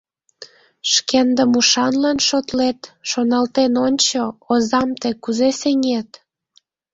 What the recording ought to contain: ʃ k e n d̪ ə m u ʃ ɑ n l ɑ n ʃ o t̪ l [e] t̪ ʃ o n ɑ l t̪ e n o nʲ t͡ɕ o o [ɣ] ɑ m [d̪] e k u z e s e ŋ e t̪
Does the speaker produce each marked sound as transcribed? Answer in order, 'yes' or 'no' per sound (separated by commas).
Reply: yes, no, no